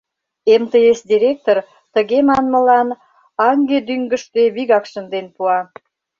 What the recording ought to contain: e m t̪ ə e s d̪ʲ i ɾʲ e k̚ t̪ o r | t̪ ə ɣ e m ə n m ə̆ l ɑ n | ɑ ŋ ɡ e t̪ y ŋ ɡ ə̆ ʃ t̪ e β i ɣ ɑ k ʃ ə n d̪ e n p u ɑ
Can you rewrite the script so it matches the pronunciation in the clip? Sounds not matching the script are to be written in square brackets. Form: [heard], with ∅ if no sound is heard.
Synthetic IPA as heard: e m t̪ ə e s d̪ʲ i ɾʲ e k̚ t̪ o r | t̪ ə ɣ e m [ɑ] n m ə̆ l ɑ n | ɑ ŋ ɡ e [d̪] y ŋ ɡ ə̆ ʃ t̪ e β i ɣ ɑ k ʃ ə n d̪ e n p u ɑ